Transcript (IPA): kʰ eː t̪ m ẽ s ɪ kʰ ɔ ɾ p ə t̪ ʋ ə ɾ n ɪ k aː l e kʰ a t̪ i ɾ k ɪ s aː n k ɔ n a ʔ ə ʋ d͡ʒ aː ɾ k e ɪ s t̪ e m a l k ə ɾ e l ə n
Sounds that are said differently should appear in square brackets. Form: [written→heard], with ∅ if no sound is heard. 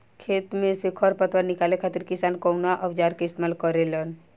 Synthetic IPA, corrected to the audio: kʰ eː t̪ m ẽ s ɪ kʰ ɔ ɾ p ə t̪ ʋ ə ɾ n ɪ k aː l e kʰ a t̪ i ɾ k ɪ s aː n k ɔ n a ʔ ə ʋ d͡ʒ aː ɾ k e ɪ s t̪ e m a l k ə ɾ e l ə n